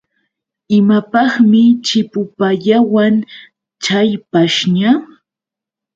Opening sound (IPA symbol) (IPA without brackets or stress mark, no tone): ɪ